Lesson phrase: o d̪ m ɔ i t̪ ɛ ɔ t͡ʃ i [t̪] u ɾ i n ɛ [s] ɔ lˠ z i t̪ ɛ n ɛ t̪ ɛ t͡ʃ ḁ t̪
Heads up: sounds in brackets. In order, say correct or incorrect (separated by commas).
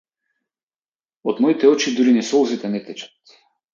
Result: incorrect, correct